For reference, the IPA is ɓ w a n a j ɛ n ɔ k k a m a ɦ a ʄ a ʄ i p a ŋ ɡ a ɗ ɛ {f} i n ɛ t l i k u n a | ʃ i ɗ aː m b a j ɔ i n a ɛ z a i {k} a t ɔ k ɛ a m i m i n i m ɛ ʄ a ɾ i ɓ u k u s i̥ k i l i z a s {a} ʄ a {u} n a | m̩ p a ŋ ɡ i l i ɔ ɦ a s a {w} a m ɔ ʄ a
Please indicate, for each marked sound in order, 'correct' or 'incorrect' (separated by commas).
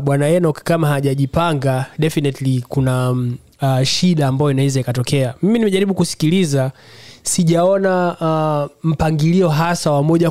correct, correct, incorrect, incorrect, correct